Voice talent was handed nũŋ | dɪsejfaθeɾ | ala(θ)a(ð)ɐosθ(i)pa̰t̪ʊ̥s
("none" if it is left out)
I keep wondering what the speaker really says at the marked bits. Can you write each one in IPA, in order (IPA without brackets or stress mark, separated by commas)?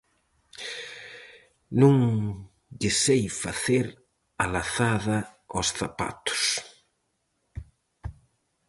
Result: θ, ð, a